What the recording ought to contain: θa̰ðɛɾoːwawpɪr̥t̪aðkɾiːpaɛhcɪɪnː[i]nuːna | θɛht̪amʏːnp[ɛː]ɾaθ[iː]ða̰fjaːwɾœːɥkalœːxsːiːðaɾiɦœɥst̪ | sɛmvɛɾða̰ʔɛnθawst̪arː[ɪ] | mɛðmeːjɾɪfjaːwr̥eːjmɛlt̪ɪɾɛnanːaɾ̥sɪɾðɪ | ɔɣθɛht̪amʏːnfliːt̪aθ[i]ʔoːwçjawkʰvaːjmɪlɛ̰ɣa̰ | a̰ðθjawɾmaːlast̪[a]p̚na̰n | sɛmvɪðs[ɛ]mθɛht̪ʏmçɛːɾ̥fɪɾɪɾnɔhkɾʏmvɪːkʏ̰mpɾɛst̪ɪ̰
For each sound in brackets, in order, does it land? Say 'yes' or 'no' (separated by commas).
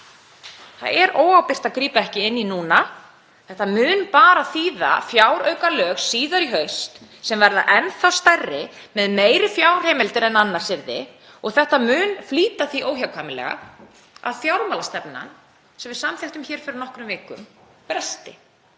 yes, no, yes, yes, yes, no, no